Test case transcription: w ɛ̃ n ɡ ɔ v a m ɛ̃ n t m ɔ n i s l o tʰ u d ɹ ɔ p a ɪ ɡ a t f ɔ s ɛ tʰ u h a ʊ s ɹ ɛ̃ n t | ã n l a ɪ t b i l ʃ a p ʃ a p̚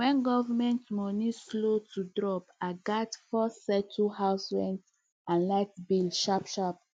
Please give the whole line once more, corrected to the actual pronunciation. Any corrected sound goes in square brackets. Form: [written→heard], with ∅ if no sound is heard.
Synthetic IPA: w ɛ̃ n ɡ ɔ v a m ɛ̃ n t m ɔ n i s l o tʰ u d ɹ ɔ p a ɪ ɡ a t f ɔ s ɛ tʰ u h a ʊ s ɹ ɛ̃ n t | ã n l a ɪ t b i l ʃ a p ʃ a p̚